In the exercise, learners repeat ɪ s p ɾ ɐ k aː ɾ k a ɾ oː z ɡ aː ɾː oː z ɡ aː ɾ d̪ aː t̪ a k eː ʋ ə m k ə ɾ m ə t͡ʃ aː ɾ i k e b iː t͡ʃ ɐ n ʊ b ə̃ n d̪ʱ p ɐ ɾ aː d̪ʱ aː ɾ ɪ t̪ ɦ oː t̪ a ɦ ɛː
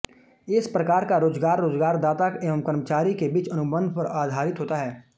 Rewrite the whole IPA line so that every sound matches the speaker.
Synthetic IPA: ɪ s p ɾ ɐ k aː ɾ k a ɾ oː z ɡ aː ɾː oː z ɡ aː ɾ d̪ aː t̪ a k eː ʋ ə m k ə ɾ m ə t͡ʃ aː ɾ i k e b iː t͡ʃ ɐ n ʊ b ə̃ n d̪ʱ p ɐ ɾ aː d̪ʱ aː ɾ ɪ t̪ ɦ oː t̪ a ɦ ɛː